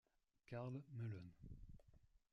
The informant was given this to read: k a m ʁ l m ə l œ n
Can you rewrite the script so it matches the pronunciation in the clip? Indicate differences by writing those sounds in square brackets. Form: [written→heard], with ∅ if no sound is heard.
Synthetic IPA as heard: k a [m→∅] ʁ l m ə l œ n